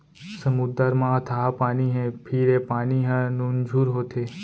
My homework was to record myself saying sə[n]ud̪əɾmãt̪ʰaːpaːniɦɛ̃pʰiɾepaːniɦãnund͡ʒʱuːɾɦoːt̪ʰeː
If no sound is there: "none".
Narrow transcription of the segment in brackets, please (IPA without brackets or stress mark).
m